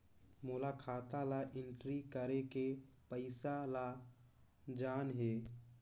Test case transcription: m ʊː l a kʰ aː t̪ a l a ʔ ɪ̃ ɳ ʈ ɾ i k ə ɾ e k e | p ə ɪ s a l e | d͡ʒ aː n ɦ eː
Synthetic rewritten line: m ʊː l a kʰ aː t̪ a l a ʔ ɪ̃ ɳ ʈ ɾ i k ə ɾ e k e | p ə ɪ s a l a | d͡ʒ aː n ɦ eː